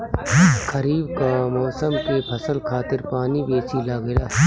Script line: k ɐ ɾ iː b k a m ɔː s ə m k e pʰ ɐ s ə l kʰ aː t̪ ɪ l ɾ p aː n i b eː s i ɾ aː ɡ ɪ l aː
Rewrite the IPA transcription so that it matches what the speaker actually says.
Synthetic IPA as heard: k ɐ ɾ iː b k a m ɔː s ə m k e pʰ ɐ s ə l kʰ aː t̪ ɪ ɾ p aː n i b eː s i l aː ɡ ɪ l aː